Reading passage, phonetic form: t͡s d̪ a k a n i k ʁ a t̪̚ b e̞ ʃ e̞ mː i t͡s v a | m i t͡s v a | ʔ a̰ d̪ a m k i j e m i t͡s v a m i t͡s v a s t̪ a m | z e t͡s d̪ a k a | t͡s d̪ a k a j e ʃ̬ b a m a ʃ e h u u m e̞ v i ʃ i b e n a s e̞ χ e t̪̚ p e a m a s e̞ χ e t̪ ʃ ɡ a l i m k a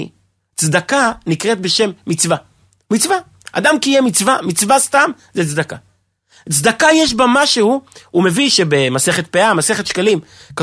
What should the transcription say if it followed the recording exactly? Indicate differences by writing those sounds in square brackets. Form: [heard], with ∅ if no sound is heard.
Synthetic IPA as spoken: t͡s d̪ a k a n i k ʁ [e] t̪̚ b e̞ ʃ e̞ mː i t͡s v a | m i t͡s v a | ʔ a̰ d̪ a m k i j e m i t͡s v a m i t͡s v a s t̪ a m | z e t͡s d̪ a k a | t͡s d̪ a k a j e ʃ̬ b a m a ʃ e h u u m e̞ v i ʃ [e] b e [m] a s e̞ χ e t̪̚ p e a m a s e̞ χ e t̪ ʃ [k] a l i m k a